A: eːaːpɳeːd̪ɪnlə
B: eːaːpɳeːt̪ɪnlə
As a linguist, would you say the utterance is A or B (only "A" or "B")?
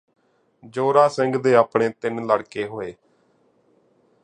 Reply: B